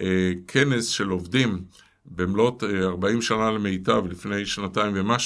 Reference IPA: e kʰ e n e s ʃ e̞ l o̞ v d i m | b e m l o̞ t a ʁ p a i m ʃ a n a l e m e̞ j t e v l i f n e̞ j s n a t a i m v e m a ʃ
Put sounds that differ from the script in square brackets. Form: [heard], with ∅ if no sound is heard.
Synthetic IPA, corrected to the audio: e kʰ e n e s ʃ e̞ l o̞ v d i m | b e m l o̞ t a ʁ [b] a i m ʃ a n a l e m e̞ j t [a] v l i f n e̞ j [ʃ] n a t a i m v e m a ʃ